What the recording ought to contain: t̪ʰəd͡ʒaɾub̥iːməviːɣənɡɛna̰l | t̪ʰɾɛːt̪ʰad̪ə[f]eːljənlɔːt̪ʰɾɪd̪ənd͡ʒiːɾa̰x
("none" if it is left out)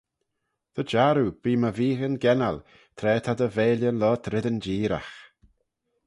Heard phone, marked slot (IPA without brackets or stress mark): v